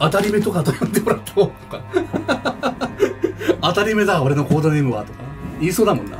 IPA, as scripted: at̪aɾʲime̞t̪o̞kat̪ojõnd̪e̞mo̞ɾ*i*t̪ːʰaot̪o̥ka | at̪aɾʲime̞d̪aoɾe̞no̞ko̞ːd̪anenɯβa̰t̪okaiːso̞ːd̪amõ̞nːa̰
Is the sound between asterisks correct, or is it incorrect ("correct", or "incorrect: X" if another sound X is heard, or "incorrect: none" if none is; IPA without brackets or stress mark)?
incorrect: a